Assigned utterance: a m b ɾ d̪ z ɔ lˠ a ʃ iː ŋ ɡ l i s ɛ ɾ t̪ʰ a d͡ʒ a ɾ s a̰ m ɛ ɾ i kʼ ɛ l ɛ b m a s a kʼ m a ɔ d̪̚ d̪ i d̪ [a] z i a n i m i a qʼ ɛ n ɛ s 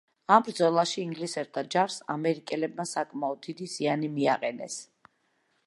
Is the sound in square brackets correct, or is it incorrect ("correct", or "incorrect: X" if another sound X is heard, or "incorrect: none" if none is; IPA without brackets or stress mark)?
incorrect: i